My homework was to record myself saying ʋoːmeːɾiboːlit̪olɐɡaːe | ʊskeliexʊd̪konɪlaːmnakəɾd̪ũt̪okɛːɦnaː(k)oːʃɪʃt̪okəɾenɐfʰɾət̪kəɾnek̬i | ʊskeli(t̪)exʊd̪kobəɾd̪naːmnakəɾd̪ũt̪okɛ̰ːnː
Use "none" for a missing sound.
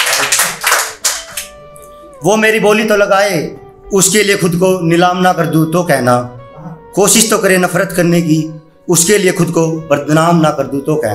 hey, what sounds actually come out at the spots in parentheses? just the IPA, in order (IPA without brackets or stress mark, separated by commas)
k, none